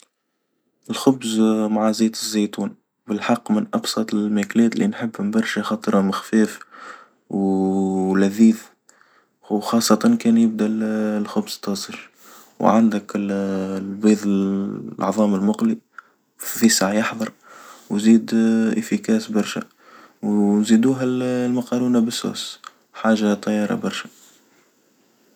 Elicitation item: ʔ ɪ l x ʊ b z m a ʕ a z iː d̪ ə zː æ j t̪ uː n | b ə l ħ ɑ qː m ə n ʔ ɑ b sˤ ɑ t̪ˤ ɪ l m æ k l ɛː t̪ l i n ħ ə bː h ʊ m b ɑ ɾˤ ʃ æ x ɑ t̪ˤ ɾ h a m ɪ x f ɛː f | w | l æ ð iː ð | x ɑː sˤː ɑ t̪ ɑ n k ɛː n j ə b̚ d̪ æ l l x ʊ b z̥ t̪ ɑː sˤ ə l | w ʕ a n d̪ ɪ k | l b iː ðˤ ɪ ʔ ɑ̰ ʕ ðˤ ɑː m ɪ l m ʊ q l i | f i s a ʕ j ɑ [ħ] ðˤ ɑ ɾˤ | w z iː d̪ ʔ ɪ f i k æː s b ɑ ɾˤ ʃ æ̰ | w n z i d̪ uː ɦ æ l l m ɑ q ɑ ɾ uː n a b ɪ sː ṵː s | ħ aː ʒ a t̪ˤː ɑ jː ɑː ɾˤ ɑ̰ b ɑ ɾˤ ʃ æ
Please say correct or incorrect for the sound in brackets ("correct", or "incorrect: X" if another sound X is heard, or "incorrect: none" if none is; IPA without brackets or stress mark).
correct